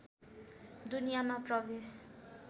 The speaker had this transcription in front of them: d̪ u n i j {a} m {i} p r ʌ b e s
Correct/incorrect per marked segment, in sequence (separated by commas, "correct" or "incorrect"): correct, incorrect